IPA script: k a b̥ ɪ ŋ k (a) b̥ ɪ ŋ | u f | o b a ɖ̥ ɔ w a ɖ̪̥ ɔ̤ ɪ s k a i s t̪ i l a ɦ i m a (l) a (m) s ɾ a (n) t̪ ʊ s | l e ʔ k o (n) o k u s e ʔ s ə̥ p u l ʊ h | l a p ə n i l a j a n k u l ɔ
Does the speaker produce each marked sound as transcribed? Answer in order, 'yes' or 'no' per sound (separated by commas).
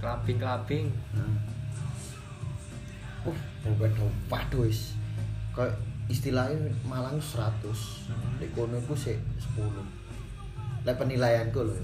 yes, yes, no, no, yes